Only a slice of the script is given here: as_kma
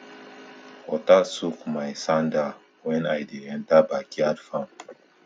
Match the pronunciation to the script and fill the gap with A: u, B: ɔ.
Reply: A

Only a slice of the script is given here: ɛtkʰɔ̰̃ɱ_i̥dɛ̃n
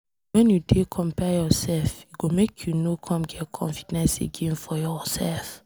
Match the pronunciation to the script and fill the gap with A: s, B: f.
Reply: B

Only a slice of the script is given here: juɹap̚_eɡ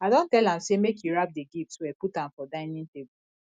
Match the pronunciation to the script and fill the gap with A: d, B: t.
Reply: A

